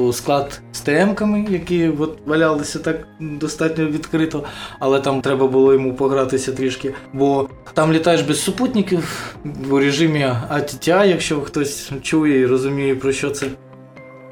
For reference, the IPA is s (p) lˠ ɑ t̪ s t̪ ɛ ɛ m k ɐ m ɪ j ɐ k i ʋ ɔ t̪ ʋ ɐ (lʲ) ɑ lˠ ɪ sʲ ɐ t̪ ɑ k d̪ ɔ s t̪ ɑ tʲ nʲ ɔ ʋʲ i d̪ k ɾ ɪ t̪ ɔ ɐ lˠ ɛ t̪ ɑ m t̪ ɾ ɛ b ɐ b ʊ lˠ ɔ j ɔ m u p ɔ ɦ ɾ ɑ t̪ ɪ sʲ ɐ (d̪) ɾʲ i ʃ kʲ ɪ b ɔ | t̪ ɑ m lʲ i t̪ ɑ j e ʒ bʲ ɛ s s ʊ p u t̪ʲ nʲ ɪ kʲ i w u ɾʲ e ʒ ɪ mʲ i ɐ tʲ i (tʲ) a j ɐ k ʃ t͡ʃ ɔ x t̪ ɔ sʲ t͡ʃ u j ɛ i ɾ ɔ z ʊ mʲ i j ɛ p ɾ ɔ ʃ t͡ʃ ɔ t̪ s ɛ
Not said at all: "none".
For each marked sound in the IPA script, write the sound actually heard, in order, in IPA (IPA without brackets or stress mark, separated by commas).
k, lʲ, t̪, tʲ